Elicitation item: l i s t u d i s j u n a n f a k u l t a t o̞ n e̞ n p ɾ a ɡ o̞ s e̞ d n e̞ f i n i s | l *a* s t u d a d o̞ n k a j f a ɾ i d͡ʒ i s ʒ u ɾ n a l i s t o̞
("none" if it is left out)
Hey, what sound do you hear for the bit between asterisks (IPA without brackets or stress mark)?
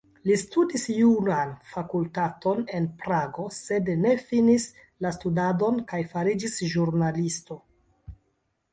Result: a